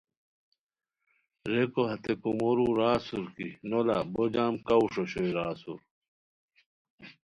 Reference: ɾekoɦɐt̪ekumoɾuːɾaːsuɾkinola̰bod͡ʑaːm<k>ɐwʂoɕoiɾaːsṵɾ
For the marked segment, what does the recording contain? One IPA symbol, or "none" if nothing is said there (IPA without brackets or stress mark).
k